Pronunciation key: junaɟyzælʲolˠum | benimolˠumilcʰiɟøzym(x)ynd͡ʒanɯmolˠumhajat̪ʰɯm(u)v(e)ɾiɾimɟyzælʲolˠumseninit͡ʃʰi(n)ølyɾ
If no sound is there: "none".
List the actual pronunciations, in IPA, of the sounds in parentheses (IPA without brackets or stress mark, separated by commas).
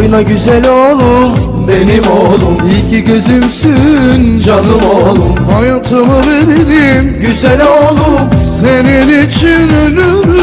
s, ɯ, e, n